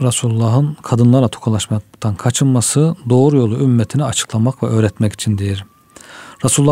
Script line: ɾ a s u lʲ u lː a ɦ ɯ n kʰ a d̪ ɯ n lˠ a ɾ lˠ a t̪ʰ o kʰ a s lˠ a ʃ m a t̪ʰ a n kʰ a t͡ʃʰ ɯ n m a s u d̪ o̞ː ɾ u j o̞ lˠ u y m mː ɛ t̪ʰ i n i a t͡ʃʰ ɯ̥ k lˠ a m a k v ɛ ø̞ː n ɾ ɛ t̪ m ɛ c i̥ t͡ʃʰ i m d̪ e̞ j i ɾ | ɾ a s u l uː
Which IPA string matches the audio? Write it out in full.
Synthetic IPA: ɾ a s u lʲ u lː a ɦ ɯ n kʰ a d̪ ɯ n lˠ a ɾ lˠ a t̪ʰ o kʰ a lˠ a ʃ m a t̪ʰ a n kʰ a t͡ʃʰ ɯ n m a s ɯ d̪ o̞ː ɾ u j o̞ lˠ u y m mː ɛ t̪ʰ i n i a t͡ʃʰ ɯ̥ k lˠ a m a k v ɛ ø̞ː ɾ ɛ t̪ m ɛ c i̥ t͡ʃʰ i n d̪ e̞ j i ɾ | ɾ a s u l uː